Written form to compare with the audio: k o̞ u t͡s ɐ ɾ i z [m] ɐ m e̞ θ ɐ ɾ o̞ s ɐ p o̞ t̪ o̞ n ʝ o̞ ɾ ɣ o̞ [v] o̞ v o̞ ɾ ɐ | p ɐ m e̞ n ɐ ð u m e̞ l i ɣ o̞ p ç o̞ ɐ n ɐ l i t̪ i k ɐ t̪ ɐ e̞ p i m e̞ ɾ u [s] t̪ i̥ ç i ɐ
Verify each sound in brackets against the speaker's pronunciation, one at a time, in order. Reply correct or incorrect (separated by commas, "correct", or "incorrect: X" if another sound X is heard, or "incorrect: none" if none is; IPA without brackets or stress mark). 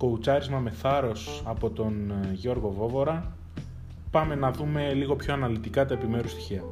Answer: correct, correct, correct